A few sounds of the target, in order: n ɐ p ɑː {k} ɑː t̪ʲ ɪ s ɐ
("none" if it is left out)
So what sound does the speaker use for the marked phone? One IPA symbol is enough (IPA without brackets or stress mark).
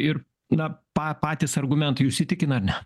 p